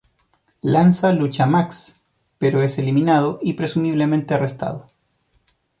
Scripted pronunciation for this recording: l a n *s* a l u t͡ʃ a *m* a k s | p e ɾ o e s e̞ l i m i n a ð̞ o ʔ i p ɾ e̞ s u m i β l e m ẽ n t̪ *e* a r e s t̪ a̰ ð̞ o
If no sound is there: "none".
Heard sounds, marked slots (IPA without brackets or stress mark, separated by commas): s, m, e